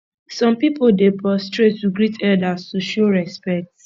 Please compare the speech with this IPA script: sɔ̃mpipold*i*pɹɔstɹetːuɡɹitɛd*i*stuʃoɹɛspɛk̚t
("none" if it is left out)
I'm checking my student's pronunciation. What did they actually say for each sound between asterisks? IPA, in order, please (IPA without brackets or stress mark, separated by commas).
e, a